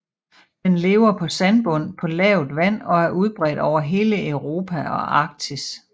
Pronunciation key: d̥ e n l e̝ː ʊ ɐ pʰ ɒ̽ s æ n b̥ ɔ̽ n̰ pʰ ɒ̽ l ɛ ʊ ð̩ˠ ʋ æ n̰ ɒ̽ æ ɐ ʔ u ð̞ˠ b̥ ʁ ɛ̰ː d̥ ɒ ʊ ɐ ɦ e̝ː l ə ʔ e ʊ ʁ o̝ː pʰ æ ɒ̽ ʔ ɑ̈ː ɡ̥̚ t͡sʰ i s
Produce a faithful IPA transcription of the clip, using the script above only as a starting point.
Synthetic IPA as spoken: d̥ e n l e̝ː ʊ ɐ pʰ ɒ̽ s æ n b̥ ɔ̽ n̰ pʰ ɒ̽ l ɛ ʊ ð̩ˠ ʋ æ n̰ ɒ̽ æ ɐ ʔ u ð̞ˠ b̥ ʁ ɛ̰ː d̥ ɒ ʊ ɐ ɦ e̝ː l ə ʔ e ʊ ʁ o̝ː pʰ æ ɒ̽ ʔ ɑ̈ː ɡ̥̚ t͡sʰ i s